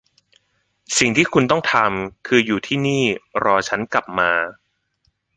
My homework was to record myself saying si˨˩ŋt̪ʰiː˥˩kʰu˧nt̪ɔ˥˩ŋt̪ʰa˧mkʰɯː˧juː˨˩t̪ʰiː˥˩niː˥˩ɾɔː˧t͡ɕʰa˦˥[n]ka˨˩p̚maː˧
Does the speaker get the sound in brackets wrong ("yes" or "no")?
no